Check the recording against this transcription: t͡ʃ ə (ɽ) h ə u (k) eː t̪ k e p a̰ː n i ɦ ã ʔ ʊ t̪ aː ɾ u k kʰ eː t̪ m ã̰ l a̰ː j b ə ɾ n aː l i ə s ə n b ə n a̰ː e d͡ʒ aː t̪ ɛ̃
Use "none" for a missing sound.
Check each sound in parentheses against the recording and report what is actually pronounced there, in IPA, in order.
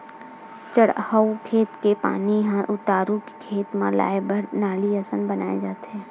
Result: ɽ, kʰ

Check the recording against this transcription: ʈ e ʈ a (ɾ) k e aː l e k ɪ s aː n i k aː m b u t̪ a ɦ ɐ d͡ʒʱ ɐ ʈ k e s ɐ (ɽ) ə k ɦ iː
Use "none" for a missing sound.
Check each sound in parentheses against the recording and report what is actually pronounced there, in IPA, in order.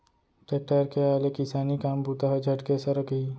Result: ɾ, ɾ

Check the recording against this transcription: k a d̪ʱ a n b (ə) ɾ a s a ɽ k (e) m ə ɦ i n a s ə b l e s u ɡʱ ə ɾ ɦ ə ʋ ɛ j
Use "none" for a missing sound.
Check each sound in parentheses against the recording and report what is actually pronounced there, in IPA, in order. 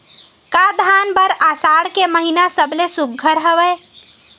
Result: ə, e

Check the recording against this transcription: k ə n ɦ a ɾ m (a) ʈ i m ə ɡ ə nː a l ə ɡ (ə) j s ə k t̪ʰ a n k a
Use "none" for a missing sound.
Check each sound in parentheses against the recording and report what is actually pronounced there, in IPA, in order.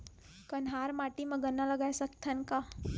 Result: a, a

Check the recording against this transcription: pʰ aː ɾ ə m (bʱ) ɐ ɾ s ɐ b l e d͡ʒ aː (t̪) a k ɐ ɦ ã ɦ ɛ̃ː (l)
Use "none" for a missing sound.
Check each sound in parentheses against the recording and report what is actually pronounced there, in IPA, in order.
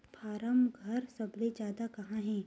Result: ɡʱ, d̪, none

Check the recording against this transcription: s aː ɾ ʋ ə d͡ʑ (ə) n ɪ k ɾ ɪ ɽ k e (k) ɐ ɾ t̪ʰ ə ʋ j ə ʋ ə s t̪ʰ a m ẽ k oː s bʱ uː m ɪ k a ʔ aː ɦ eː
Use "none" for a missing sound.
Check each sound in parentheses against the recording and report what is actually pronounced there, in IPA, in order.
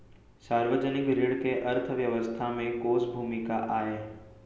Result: ə, ʔ

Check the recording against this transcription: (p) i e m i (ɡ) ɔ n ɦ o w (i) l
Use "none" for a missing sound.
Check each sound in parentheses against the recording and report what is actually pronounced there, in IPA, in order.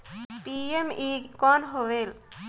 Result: p, k, e

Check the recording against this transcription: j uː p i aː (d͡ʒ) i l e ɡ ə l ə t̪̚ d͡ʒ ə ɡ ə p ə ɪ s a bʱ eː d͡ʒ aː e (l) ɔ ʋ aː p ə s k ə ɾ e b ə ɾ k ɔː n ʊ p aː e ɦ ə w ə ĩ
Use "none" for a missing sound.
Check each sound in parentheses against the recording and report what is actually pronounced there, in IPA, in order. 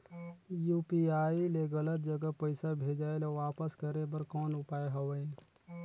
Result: none, l

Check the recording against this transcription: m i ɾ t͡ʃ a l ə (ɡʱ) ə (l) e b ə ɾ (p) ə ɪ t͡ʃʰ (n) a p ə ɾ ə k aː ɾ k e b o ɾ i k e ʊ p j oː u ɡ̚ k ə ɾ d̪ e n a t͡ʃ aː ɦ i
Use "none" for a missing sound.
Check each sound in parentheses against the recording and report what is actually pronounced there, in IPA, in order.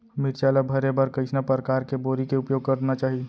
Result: bʱ, ɾ, k, n

